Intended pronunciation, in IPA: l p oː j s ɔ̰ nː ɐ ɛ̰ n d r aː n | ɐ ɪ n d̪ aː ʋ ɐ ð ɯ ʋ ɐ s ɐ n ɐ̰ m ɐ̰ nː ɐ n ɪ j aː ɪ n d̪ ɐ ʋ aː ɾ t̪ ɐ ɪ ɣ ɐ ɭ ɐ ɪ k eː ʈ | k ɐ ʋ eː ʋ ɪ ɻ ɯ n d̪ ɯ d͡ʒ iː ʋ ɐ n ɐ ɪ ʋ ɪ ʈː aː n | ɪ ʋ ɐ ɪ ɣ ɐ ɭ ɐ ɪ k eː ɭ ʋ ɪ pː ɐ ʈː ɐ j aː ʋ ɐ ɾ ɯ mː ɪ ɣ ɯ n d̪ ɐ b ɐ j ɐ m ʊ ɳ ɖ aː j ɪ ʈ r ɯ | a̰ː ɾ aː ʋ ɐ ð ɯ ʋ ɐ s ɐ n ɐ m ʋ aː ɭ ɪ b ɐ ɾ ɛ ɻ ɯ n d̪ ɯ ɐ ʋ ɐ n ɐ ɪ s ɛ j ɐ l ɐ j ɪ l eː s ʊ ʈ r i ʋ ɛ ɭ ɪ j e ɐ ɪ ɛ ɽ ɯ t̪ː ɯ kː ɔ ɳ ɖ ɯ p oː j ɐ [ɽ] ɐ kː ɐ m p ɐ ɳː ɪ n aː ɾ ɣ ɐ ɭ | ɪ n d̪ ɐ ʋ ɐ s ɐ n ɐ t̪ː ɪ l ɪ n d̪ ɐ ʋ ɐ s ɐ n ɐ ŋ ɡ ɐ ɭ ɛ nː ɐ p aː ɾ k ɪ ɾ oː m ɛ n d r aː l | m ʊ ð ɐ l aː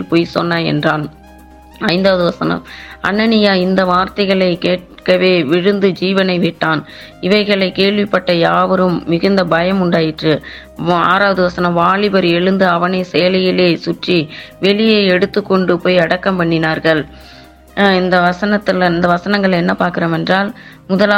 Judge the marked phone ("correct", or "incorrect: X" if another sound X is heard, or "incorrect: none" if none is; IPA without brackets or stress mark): correct